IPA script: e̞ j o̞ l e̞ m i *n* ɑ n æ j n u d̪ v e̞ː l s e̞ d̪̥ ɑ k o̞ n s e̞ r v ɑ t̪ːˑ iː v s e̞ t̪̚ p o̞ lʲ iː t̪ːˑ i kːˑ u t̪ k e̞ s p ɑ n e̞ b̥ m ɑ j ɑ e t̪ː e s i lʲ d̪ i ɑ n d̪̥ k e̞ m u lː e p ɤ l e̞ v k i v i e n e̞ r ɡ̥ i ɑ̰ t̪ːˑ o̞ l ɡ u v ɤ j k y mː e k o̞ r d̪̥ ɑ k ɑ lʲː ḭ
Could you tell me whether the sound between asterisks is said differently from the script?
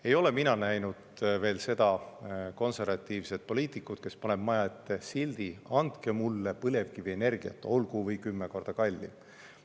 no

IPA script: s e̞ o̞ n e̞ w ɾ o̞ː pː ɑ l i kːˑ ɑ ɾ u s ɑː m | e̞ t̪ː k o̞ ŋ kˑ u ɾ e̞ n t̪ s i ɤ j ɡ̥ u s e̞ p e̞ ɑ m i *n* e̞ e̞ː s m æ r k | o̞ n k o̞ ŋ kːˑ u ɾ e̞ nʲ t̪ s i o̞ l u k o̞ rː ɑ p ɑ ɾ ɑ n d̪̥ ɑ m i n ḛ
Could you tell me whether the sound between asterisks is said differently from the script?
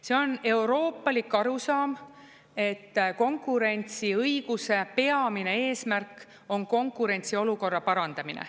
no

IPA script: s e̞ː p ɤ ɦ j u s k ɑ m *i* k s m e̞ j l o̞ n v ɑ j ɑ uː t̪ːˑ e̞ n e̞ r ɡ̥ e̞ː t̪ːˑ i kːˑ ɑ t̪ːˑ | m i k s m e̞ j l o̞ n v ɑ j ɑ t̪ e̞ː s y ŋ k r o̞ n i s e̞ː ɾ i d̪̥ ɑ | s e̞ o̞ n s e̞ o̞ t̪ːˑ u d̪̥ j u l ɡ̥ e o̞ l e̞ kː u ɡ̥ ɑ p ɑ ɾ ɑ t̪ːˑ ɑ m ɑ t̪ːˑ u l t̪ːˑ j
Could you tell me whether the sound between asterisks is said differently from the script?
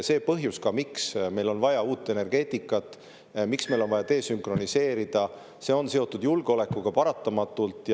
no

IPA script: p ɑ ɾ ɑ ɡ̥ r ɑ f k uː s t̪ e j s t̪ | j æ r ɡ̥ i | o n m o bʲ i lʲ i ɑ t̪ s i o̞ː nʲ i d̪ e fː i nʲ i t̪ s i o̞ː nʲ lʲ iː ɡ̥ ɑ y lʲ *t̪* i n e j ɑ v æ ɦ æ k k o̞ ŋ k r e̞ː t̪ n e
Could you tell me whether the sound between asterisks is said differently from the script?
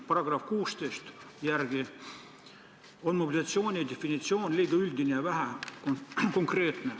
yes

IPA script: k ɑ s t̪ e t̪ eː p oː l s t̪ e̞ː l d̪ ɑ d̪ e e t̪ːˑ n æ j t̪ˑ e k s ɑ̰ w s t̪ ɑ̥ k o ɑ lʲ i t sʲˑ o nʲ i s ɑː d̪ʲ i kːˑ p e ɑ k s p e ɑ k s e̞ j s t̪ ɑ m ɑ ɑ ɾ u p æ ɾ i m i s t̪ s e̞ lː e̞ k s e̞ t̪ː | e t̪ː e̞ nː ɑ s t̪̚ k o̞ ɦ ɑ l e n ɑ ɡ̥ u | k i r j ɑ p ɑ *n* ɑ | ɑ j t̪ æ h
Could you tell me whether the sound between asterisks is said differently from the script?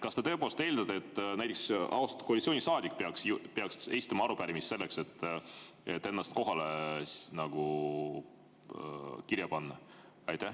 yes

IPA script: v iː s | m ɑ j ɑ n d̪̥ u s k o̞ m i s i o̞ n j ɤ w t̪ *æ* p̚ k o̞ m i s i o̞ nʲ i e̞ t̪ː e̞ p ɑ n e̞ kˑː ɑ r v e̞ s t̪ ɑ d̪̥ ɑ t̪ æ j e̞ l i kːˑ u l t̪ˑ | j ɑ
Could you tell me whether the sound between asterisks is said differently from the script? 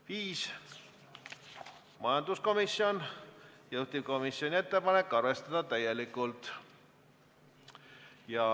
yes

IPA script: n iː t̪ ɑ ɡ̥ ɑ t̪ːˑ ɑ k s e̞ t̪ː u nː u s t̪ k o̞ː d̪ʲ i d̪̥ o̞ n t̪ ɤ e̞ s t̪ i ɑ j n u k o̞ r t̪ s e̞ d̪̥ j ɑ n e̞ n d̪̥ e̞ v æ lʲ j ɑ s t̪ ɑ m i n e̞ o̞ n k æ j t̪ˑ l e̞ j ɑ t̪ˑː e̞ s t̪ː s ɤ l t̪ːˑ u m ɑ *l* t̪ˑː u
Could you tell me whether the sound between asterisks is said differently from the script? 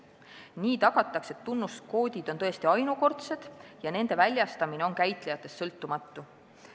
yes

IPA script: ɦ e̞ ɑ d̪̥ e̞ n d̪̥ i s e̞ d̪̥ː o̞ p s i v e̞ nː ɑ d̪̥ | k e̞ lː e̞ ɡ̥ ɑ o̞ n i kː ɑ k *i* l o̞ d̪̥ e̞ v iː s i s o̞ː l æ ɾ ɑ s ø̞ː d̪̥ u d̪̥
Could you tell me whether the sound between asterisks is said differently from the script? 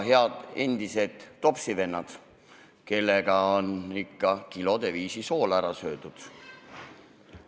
no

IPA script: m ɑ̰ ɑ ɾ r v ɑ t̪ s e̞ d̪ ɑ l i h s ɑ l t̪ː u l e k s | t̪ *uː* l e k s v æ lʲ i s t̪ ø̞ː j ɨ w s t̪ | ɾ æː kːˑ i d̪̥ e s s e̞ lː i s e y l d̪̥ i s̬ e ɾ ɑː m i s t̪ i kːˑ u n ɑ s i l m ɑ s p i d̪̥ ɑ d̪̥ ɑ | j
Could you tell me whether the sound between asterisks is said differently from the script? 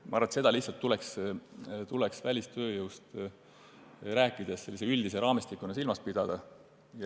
yes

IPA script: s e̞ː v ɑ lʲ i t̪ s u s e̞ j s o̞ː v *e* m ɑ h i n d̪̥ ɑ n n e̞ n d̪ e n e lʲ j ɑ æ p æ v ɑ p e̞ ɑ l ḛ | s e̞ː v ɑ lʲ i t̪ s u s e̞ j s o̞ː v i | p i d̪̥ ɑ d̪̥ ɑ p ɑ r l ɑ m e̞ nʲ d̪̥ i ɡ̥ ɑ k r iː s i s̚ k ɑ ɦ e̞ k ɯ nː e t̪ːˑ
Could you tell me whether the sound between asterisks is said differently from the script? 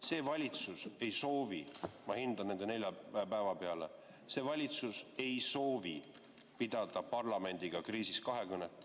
yes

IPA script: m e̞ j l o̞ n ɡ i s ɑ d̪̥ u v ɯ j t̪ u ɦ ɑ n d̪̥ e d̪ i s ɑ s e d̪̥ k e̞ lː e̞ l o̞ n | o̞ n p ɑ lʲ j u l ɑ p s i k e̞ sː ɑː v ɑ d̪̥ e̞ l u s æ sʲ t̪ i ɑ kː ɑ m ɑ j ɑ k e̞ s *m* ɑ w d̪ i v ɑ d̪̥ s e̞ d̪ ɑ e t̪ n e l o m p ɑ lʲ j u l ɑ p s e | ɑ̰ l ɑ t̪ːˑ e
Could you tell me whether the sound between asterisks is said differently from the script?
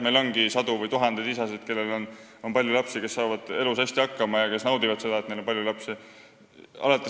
yes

